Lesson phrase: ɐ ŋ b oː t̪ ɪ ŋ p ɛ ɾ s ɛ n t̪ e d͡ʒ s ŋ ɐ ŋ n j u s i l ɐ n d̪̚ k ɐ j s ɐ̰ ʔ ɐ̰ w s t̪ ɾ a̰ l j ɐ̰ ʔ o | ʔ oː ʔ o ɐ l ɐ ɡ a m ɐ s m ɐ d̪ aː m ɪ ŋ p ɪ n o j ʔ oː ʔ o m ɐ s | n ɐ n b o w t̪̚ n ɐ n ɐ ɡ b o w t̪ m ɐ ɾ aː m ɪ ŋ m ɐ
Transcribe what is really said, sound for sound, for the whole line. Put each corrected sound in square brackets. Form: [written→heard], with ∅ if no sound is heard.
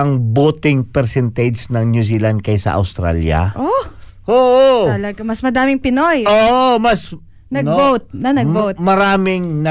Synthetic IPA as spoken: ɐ ŋ b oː t̪ ɪ ŋ p ɛ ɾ s ɛ n t̪ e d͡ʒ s [ŋ→n] ɐ ŋ n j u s i l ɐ n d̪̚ k ɐ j s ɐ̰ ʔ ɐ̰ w s t̪ ɾ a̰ l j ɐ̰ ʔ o | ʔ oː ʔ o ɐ l ɐ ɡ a m ɐ s m ɐ d̪ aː m ɪ ŋ p ɪ n o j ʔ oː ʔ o m ɐ s | n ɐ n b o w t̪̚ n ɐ n ɐ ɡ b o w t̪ m ɐ ɾ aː m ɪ ŋ [m→n] ɐ